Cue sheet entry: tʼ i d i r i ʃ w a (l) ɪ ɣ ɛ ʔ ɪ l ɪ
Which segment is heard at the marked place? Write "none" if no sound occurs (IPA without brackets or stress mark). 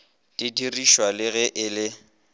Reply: l